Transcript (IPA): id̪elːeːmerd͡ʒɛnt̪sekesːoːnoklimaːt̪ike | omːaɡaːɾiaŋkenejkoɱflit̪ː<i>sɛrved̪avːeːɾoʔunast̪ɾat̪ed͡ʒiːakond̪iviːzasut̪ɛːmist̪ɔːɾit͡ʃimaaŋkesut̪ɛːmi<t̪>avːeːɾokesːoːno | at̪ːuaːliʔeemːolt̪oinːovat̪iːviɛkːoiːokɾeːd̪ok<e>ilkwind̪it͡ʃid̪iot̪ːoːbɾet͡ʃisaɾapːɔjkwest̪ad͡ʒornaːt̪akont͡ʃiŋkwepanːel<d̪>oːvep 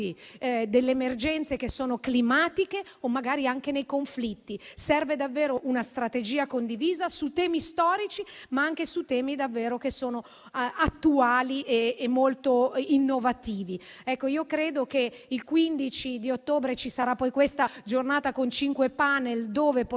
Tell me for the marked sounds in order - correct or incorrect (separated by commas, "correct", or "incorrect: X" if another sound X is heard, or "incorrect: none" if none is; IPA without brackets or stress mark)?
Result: correct, incorrect: d̪, correct, correct